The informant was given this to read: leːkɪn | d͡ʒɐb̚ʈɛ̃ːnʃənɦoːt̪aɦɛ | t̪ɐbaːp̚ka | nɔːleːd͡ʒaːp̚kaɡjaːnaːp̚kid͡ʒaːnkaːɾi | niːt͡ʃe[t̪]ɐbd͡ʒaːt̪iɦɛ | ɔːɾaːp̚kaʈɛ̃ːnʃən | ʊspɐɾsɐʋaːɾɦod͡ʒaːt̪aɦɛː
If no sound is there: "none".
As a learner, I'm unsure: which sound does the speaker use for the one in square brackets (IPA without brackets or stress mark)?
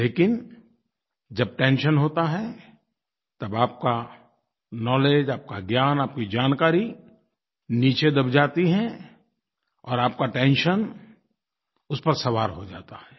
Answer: d̪